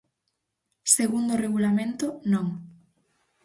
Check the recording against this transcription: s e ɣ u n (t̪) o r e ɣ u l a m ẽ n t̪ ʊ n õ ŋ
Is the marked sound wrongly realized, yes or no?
yes